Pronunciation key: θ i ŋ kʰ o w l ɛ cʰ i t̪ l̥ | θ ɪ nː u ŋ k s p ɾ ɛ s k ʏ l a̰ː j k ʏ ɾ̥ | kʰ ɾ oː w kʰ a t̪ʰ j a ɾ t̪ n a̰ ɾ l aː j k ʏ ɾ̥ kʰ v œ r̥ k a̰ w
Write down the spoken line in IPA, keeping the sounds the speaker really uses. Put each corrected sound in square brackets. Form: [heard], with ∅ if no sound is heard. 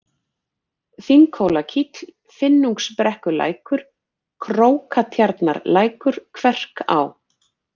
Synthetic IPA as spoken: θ i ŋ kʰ o w l [a] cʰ i t̪ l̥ | [f] ɪ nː u ŋ k s p ɾ ɛ [h] k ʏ l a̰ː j k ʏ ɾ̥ | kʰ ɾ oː w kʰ a t̪ʰ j a ɾ t̪ n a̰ ɾ l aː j k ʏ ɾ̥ kʰ v [ɛ] r̥ k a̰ w